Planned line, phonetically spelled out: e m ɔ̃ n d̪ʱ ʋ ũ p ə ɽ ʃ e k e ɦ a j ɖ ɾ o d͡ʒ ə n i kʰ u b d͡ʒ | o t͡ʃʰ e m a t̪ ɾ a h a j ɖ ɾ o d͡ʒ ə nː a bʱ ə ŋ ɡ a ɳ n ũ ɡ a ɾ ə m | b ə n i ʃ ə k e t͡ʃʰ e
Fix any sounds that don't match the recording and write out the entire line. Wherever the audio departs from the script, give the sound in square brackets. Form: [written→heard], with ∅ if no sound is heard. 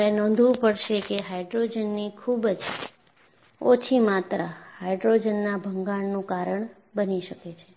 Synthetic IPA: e [m→n] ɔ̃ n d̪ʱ ʋ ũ p ə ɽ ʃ e k e ɦ a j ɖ ɾ o d͡ʒ ə [n→nː] i kʰ u b d͡ʒ | o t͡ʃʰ [e→i] m a t̪ ɾ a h a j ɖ ɾ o d͡ʒ ə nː a bʱ ə ŋ ɡ a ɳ n ũ [ɡ→k] a ɾ ə [m→ɳ] | b ə n i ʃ ə k e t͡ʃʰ e